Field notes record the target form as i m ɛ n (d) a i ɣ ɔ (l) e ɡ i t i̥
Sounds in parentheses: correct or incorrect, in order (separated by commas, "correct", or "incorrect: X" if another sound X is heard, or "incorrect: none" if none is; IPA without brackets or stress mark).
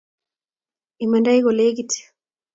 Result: correct, correct